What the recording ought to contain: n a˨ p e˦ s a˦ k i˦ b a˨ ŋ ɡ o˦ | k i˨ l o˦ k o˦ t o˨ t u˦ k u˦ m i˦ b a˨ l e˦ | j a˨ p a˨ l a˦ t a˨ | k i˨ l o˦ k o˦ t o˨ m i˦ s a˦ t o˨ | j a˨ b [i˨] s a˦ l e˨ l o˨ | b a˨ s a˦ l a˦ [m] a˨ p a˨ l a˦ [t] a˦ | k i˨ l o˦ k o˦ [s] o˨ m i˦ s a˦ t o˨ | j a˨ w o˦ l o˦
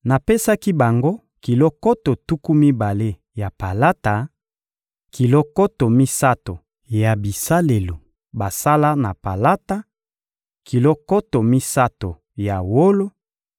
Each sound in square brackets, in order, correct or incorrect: correct, incorrect, correct, incorrect

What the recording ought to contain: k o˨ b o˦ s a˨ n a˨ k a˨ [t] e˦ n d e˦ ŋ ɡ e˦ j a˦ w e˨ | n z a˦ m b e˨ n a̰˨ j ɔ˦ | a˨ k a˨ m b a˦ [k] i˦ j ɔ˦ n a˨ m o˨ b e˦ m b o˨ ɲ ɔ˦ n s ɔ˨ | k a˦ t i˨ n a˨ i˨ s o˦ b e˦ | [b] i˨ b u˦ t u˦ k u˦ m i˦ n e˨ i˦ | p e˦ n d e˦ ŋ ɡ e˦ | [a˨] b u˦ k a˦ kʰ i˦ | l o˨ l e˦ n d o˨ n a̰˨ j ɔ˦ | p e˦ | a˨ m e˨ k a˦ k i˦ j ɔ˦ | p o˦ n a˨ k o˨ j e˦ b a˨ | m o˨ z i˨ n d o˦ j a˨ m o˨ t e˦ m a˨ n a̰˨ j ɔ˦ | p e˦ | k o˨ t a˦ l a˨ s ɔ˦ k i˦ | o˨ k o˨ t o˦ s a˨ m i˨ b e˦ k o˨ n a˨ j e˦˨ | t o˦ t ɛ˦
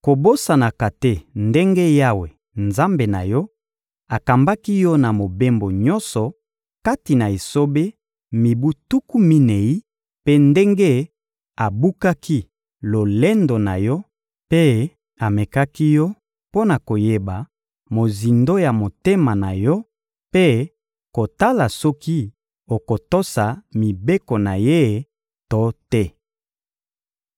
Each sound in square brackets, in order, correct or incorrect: correct, correct, incorrect, correct

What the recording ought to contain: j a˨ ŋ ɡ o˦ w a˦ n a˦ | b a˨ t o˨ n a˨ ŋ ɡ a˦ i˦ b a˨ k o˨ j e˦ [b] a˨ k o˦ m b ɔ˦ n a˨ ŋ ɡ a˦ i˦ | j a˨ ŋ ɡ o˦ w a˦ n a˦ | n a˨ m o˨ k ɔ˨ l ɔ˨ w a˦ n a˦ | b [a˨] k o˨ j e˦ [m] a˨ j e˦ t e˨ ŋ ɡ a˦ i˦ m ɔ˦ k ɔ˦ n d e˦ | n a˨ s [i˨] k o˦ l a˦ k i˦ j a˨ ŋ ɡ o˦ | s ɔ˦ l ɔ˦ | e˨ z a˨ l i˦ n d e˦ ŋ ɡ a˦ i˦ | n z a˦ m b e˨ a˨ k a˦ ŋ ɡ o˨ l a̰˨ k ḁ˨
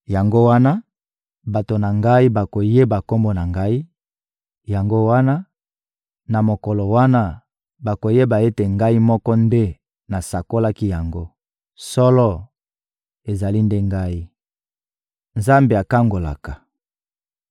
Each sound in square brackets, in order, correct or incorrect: correct, correct, incorrect, incorrect

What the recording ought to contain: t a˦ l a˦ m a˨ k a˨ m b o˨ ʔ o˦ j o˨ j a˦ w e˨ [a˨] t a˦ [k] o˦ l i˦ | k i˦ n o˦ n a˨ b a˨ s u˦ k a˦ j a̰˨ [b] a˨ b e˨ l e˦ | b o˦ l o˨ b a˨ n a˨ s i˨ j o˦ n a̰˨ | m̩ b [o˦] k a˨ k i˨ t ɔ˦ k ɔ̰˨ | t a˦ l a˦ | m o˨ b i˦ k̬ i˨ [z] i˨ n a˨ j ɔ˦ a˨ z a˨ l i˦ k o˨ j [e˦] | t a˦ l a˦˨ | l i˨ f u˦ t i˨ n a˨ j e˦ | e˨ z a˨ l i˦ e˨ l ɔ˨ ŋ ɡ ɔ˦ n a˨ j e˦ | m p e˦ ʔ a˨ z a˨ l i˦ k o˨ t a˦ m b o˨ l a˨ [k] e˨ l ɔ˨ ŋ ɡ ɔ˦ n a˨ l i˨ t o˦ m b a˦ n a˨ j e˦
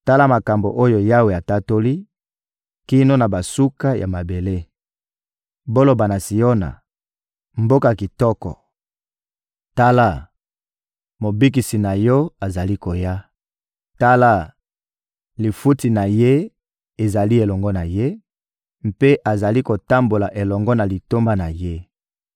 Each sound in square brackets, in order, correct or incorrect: correct, incorrect, incorrect, correct, incorrect, incorrect, incorrect

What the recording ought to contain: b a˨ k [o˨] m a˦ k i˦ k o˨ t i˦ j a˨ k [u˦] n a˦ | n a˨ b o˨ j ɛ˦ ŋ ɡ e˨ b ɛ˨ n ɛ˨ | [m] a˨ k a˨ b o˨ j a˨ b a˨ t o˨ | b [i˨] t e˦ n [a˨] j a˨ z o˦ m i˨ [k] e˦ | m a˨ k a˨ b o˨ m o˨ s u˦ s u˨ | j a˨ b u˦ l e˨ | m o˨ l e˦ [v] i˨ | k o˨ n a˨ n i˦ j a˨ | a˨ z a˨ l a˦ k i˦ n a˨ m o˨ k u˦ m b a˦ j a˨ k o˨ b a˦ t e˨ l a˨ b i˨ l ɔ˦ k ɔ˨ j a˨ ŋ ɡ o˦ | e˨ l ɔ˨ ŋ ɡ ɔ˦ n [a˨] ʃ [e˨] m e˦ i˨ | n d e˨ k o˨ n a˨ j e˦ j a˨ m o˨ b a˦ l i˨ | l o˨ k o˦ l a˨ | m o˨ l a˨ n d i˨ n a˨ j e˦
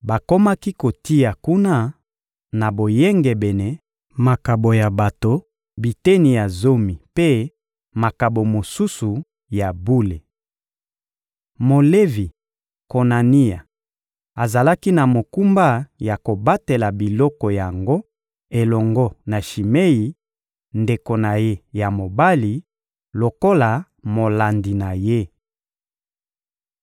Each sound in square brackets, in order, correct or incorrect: incorrect, correct, correct, correct, incorrect, incorrect, correct, correct, incorrect

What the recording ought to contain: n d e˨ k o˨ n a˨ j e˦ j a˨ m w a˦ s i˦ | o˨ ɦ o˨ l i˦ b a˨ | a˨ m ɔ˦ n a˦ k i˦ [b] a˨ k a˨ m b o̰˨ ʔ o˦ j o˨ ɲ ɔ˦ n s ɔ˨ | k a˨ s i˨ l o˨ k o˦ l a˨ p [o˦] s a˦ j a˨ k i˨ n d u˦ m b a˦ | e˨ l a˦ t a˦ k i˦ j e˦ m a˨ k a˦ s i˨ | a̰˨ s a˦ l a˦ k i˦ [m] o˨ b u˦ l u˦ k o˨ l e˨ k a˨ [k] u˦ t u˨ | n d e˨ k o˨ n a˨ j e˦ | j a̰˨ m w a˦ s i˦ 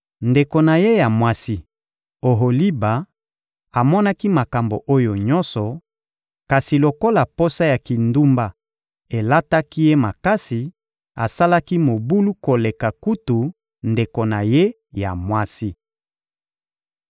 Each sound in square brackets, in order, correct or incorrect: incorrect, correct, correct, correct

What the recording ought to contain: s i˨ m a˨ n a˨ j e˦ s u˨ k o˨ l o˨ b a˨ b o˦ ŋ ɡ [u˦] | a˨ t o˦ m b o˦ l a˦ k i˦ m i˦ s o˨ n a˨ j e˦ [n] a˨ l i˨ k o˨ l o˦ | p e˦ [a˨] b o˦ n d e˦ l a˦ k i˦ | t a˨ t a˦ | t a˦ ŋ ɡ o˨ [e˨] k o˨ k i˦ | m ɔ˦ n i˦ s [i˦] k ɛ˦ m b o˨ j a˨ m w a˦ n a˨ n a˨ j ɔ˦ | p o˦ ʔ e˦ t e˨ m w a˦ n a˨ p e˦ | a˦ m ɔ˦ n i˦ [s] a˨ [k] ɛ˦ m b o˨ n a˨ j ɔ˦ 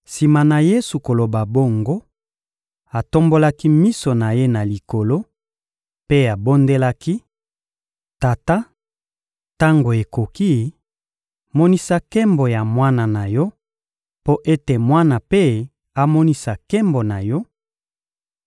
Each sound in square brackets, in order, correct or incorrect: incorrect, correct, correct, correct, incorrect, correct, correct

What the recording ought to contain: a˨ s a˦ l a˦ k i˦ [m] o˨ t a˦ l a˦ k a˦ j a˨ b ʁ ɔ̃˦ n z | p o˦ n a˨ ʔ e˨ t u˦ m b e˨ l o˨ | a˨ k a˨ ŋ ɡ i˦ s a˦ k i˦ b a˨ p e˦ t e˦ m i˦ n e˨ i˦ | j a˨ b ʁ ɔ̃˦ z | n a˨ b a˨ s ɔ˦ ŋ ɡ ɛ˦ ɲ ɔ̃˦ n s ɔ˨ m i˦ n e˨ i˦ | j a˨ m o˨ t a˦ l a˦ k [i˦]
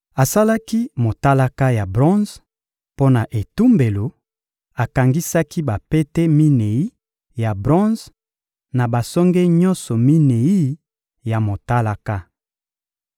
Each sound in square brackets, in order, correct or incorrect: correct, incorrect

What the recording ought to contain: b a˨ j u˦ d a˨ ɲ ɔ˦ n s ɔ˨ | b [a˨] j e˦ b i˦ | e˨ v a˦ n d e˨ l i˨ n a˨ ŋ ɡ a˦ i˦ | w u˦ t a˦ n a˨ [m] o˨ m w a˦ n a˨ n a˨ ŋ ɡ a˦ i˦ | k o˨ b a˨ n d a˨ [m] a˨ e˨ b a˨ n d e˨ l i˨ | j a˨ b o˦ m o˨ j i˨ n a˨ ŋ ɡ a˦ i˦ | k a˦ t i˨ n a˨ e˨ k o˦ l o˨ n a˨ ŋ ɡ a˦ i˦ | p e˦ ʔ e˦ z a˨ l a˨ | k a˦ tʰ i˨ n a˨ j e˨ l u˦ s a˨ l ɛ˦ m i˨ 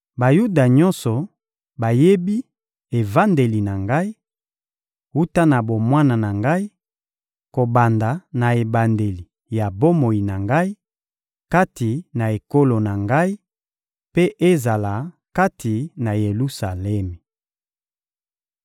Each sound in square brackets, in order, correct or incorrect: correct, incorrect, incorrect

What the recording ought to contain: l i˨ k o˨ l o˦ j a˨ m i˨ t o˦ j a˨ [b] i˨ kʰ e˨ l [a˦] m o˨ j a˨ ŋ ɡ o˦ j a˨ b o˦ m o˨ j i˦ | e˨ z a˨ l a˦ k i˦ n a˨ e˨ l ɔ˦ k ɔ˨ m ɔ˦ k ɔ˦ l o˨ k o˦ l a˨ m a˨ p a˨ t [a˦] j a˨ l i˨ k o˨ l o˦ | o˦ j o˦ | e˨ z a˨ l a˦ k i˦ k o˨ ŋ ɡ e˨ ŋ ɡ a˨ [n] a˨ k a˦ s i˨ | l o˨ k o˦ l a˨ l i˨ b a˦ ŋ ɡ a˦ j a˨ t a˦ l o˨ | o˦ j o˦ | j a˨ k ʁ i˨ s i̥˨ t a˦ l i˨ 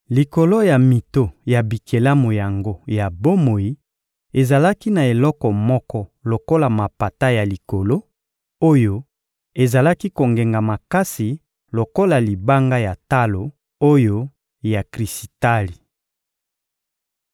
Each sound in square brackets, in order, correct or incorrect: correct, correct, correct, incorrect

